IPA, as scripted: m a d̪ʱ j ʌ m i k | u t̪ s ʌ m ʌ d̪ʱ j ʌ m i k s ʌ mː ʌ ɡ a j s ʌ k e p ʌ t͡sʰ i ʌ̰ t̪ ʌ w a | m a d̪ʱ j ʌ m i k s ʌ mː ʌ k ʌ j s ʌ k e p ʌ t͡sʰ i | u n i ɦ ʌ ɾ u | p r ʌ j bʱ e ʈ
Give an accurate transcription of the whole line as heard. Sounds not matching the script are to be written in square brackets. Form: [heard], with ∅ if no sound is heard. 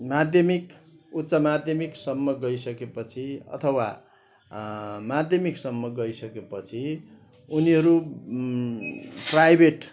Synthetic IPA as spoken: m a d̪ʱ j ʌ m i k | u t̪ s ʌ m [a] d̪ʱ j ʌ m i k s ʌ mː ʌ ɡ [ʌ] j s ʌ k e p ʌ t͡sʰ i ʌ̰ [t̪ʰ] ʌ w a | m a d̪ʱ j ʌ m i k s ʌ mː ʌ [ɡ] ʌ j s ʌ k e p ʌ t͡sʰ i | u n i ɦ ʌ ɾ u | p r [a] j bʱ e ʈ